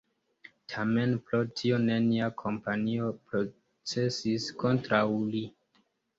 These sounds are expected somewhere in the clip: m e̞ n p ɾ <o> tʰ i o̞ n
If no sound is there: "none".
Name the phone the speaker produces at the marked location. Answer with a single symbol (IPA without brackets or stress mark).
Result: o